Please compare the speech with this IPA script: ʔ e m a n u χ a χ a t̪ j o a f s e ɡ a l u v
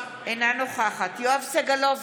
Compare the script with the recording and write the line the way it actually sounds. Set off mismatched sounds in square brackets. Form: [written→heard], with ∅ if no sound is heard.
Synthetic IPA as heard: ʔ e [m→n] a n [u→o] χ a χ a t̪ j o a [f→v] s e ɡ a l [u→o] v